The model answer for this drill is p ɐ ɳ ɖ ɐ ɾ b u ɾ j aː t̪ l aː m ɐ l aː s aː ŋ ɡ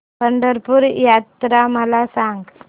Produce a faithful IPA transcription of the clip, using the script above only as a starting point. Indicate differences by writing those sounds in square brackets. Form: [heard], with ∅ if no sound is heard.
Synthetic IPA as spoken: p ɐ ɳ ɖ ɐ ɾ [p] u ɾ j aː t̪ [ɾ] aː m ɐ l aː s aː ŋ ɡ